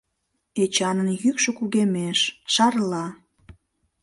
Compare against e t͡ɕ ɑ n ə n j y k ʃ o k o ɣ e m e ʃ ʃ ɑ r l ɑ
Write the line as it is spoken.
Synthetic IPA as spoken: e t͡ɕ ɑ n ə n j y k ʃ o k u ɣ e m e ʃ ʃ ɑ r l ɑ

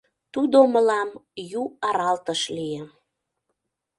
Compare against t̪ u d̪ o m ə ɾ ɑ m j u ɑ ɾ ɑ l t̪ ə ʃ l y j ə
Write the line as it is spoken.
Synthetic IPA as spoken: t̪ u d̪ o m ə l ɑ m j u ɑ ɾ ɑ l t̪ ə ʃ l i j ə

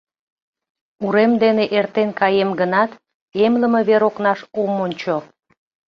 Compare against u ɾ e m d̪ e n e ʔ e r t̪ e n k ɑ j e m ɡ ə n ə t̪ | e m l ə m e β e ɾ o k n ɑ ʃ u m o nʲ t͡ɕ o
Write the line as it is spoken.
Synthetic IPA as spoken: u ɾ e m d̪ e n e ʔ e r t̪ e n k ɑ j e m ɡ ə n ɑ t̪ | e m l ə m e β e ɾ o k n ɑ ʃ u m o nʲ t͡ɕ o

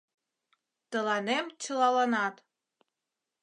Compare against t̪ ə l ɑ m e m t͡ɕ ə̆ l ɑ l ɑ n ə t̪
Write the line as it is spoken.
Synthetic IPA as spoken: t̪ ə l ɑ n e m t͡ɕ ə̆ l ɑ l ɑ n ɑ t̪

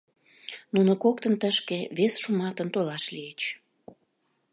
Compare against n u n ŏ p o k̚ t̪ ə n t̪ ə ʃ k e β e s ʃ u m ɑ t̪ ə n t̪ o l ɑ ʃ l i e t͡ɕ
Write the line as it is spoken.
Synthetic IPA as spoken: n u n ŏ k o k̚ t̪ ə n t̪ ə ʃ k e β e s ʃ u m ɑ t̪ ə n t̪ o l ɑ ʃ l i e t͡ɕ

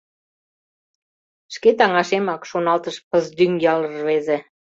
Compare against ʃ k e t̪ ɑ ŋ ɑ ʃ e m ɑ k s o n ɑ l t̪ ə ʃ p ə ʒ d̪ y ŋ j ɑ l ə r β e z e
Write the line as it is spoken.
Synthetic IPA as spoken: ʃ k e t̪ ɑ ŋ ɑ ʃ e m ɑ k ʃ o n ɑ l t̪ ə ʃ p ə z d̪ y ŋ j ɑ l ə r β e z e

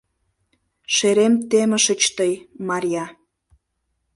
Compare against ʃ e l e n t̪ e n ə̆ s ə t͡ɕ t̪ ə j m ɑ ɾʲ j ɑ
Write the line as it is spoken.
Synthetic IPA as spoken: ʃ e ɾ e m t̪ e m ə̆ ʃ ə t͡ɕ t̪ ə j m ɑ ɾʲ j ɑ

